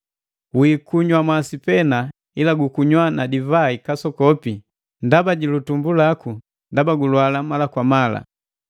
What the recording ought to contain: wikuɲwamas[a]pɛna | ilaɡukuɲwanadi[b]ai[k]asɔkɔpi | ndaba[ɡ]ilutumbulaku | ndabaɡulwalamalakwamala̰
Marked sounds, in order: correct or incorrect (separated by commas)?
incorrect, incorrect, correct, incorrect